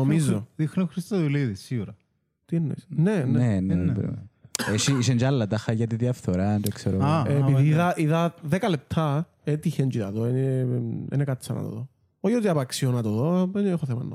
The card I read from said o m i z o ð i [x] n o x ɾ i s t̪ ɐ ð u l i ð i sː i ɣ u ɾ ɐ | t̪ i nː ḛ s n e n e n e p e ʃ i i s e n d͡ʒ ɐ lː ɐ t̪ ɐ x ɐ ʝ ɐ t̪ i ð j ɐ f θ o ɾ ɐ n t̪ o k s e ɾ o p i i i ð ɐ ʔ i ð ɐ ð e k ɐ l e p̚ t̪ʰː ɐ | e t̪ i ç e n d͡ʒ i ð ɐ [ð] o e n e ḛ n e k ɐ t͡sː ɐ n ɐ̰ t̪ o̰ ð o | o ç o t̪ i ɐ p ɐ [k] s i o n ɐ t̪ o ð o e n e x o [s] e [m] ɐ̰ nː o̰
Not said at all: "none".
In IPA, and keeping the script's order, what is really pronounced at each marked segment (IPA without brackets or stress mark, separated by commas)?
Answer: x, ð, k, θ, m